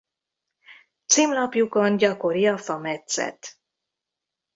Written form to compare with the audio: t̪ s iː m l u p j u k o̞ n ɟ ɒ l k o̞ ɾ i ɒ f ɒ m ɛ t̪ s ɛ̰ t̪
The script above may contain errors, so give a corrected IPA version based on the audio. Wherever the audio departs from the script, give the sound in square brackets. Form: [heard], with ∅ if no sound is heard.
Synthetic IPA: t̪ s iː m l [ɒ] p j u k o̞ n ɟ ɒ [∅] k o̞ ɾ i ɒ f ɒ m ɛ t̪ s ɛ̰ t̪